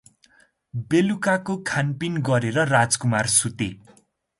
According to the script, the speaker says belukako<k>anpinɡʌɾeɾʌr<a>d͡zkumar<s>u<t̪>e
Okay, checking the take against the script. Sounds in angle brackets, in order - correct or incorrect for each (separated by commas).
incorrect, correct, correct, correct